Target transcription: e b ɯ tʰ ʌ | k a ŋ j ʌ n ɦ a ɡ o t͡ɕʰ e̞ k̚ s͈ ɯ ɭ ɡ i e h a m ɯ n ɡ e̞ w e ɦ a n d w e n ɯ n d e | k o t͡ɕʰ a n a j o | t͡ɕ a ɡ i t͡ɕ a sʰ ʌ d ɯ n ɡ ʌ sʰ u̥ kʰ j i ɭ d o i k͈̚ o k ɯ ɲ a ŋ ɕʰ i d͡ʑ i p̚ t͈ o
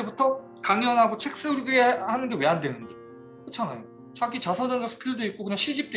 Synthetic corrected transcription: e b u tʰ ʌ | k a ŋ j ʌ n ɦ a ɡ o t͡ɕʰ e̞ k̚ s͈ ɯ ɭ ɡ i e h a n ɯ n ɡ e̞ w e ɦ a n d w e n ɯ n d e | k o t͡ɕʰ a n a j o | t͡ɕ a ɡ i t͡ɕ a sʰ ʌ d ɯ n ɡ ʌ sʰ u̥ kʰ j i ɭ d o i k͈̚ o k ɯ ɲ a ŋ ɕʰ i d͡ʑ i p̚ t͈ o